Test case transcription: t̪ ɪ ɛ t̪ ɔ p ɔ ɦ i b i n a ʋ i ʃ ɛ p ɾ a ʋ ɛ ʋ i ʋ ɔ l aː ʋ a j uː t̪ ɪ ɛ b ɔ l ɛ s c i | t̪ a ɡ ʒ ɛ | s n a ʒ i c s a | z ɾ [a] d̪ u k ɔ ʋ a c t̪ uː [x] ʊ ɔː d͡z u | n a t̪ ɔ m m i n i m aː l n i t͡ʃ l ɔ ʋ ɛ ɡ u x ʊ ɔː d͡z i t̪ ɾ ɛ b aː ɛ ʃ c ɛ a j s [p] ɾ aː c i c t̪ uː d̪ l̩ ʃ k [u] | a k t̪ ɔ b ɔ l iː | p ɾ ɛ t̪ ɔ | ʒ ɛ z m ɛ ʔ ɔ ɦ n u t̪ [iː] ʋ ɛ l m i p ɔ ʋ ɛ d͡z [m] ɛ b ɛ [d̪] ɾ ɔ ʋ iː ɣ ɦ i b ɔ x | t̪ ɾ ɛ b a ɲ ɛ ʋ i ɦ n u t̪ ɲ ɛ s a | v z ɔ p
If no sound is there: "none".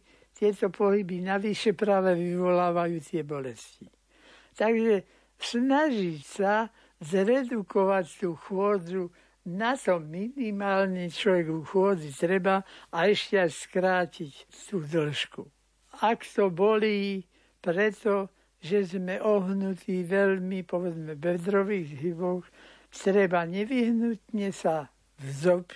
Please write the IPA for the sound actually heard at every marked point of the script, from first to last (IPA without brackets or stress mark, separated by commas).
ɛ, x, k, u, iː, m, d̪